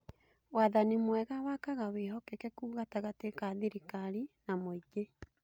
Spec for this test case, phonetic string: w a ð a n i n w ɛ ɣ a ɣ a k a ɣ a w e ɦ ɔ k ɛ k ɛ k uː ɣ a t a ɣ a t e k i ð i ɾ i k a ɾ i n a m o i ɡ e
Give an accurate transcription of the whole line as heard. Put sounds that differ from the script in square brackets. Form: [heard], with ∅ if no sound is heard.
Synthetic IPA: w a ð a n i [m] w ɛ ɣ a [w] a k a ɣ a w e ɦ ɔ k ɛ k ɛ k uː ɣ a t a ɣ a t e k [a] ð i ɾ i k a ɾ i n a m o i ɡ e